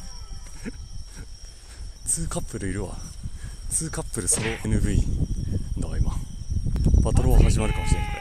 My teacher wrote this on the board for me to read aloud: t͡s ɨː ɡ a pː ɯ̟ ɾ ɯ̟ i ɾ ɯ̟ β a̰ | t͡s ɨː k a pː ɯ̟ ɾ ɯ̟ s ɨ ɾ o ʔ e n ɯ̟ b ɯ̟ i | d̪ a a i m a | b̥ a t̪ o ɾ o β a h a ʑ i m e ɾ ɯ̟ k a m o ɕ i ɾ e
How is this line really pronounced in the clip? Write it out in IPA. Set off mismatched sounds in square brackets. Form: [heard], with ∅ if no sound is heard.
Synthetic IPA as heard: t͡s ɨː [k] a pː ɯ̟ ɾ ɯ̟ i ɾ ɯ̟ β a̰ | t͡s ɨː k a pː ɯ̟ ɾ ɯ̟ s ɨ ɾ o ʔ e n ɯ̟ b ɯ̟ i | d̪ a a i m a | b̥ a t̪ o ɾ o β a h a ʑ i m [a] ɾ ɯ̟ k a m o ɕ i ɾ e

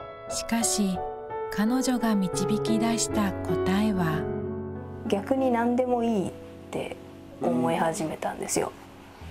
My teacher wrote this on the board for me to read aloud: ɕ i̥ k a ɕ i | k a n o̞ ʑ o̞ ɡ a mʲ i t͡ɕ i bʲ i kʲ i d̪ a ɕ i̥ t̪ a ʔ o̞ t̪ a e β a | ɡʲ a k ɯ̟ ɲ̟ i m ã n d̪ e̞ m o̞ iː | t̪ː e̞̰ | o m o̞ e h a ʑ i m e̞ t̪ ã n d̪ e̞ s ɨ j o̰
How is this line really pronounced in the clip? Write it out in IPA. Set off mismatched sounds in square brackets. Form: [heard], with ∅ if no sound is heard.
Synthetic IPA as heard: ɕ i̥ k a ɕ i | k a n o̞ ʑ o̞ ɡ a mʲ i t͡ɕ i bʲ i kʲ i d̪ a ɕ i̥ t̪ a [k] o̞ t̪ a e β a | ɡʲ a k ɯ̟ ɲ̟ i [n] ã n d̪ e̞ m o̞ iː | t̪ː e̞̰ | o m o̞ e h a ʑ i m e̞ t̪ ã n d̪ e̞ s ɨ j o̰

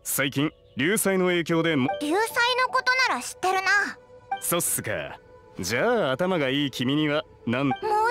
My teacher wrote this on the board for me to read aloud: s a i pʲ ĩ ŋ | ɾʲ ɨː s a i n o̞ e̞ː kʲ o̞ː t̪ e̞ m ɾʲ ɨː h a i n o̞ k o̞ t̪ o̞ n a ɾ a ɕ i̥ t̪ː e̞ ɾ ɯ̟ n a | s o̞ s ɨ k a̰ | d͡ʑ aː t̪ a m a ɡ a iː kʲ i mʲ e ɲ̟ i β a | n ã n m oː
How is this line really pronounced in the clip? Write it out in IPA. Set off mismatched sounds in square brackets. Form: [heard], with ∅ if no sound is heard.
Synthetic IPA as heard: s a i [kʲ] ĩ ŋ | ɾʲ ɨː s a i n o̞ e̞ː kʲ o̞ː [d̪] e̞ m ɾʲ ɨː [s] a i n o̞ k o̞ t̪ o̞ n a ɾ a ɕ i̥ t̪ː e̞ ɾ ɯ̟ n a | s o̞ s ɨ k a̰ | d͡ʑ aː t̪ a m a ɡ a iː kʲ i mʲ [i] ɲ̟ i β a | n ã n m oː

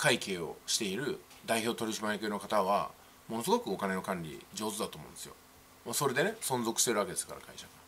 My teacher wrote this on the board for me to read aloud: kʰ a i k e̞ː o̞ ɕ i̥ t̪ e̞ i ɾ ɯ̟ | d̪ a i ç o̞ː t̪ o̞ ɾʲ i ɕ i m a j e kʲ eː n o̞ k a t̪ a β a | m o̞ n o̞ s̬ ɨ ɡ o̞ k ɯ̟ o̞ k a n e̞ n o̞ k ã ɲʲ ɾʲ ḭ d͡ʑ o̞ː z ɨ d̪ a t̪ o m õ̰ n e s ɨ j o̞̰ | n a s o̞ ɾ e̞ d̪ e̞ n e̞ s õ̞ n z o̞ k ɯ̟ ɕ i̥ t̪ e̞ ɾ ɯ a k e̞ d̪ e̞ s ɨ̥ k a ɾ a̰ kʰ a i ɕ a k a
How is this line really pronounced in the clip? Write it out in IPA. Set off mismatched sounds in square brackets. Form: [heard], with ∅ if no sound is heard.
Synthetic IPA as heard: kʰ a i k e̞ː o̞ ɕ i̥ t̪ e̞ i ɾ ɯ̟ | d̪ a i ç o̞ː t̪ o̞ ɾʲ i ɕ i m a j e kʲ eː n o̞ k a t̪ a β a | m o̞ n o̞ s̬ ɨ ɡ o̞ k ɯ̟ o̞ k a n e̞ n o̞ k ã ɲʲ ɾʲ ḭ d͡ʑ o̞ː z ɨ d̪ a t̪ o m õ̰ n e s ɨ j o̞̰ | [m] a s o̞ ɾ e̞ d̪ e̞ n e̞ s õ̞ n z o̞ k ɯ̟ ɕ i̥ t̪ e̞ ɾ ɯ a k e̞ d̪ e̞ s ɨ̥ k a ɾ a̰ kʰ a i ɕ a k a

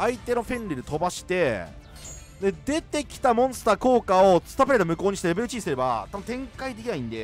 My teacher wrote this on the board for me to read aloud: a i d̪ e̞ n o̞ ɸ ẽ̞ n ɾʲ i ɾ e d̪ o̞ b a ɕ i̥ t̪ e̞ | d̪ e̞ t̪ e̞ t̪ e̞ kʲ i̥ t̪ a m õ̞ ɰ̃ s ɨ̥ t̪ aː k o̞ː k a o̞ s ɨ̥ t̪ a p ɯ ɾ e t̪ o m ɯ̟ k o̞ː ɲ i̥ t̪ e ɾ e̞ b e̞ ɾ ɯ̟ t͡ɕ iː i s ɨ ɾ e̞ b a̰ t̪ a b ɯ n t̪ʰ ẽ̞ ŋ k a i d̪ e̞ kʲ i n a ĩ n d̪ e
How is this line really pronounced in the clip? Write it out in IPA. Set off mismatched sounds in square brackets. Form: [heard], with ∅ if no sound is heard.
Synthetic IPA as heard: a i [t̪] e̞ n o̞ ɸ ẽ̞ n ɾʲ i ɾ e [t̪] o̞ b a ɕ i̥ t̪ e̞ | d̪ e̞ [d̪] e̞ t̪ e̞ kʲ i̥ t̪ a m õ̞ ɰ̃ s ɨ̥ t̪ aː k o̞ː k a o̞ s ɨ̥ t̪ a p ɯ ɾ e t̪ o m ɯ̟ k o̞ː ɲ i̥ t̪ e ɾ e̞ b e̞ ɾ ɯ̟ t͡ɕ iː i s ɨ ɾ e̞ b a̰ t̪ a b ɯ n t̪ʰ ẽ̞ ŋ k a i d̪ e̞ kʲ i n a ĩ n d̪ e

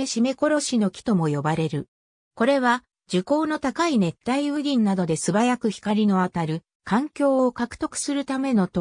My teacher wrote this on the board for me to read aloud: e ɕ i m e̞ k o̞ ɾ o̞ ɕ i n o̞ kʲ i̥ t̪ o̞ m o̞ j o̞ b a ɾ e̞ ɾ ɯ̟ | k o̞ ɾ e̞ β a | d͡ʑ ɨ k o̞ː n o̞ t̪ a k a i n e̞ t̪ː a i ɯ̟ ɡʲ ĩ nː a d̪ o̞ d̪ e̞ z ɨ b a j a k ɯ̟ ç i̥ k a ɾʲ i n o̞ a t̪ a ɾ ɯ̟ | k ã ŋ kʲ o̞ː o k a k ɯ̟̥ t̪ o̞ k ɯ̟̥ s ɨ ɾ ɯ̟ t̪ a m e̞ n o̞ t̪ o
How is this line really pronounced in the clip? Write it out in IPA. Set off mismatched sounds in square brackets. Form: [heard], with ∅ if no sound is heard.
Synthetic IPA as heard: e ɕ i m e̞ k o̞ ɾ o̞ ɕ i n o̞ kʲ i̥ t̪ o̞ m o̞ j o̞ b a ɾ e̞ ɾ ɯ̟ | k o̞ ɾ e̞ β a | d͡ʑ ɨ k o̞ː n o̞ t̪ a k a i n e̞ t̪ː a i ɯ̟ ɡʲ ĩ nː a d̪ o̞ d̪ e̞ [s] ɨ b a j a k ɯ̟ ç i̥ k a ɾʲ i n o̞ a t̪ a ɾ ɯ̟ | k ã ŋ kʲ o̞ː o k a k ɯ̟̥ t̪ o̞ k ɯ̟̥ s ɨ ɾ ɯ̟ t̪ a m e̞ n o̞ t̪ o

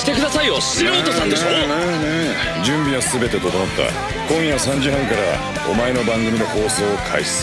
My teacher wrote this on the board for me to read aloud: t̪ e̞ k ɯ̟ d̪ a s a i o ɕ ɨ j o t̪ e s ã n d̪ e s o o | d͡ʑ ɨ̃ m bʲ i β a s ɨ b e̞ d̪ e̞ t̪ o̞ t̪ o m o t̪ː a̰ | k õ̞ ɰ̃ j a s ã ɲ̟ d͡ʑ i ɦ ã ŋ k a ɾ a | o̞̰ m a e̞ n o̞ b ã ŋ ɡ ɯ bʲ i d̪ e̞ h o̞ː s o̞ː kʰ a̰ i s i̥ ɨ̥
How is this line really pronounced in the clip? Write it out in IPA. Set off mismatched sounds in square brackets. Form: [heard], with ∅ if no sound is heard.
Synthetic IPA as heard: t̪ e̞ k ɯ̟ d̪ a s a i o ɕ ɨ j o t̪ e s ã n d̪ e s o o | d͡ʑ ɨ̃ m bʲ i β a s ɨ b e̞ [t̪] e̞ t̪ o̞ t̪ o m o t̪ː a̰ | k õ̞ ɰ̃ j a s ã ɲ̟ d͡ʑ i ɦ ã ŋ k a ɾ a | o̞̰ m a e̞ n o̞ b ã ŋ ɡ ɯ [mʲ] i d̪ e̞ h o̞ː s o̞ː kʰ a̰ i s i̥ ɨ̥

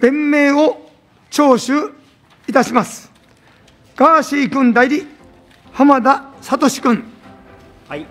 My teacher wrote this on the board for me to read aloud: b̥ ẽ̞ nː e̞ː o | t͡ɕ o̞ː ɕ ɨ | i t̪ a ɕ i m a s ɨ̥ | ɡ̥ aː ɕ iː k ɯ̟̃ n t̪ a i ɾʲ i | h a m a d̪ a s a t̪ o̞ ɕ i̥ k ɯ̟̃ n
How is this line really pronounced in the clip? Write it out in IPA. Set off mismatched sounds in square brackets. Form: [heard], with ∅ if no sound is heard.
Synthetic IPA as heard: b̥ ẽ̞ [mː] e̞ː o | t͡ɕ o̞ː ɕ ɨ | i t̪ a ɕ i m a s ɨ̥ | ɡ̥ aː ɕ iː k ɯ̟̃ n [d̪] a i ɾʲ i | h a m a d̪ a s a t̪ o̞ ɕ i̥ k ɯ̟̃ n

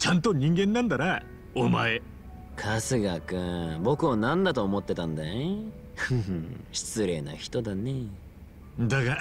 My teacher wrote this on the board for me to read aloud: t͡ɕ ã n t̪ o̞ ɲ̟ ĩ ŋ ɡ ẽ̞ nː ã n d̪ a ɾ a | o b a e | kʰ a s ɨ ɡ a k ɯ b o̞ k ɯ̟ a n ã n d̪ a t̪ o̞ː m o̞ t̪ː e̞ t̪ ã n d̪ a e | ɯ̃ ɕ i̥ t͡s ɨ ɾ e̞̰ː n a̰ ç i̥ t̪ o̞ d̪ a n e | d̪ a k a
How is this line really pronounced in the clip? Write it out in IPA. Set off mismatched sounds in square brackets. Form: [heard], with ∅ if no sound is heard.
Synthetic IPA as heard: t͡ɕ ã n t̪ o̞ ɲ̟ ĩ ŋ ɡ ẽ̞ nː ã n d̪ a ɾ a | o [m] a e | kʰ a s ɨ ɡ a k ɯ b o̞ k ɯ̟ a n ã n d̪ a t̪ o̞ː m o̞ t̪ː e̞ t̪ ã n d̪ a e | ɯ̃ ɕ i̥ t͡s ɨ ɾ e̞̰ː n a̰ ç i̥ t̪ o̞ d̪ a n e | d̪ a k a

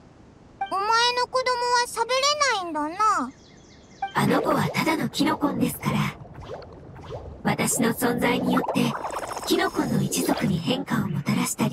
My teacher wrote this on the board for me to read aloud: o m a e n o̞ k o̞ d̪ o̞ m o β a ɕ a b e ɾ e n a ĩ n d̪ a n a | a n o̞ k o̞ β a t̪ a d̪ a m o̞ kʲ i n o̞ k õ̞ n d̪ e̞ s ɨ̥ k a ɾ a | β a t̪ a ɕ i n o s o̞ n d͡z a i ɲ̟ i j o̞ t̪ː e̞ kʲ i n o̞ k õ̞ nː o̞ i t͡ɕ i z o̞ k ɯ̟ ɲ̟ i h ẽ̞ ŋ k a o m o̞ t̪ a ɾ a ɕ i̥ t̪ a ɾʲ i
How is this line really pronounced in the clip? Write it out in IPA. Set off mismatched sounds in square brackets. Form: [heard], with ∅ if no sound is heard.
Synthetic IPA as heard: o m a e n o̞ k o̞ d̪ o̞ m o β a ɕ a b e ɾ e n a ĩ n d̪ a n a | a n o̞ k o̞ β a t̪ a d̪ a [n] o̞ kʲ i n o̞ k õ̞ n d̪ e̞ s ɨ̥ k a ɾ a | β a t̪ a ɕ i n o s [õ̞] n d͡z a i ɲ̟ i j o̞ t̪ː e̞ kʲ i n o̞ k õ̞ nː o̞ i t͡ɕ i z o̞ k ɯ̟ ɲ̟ i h ẽ̞ ŋ k a o m o̞ t̪ a ɾ a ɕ i̥ t̪ a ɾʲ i

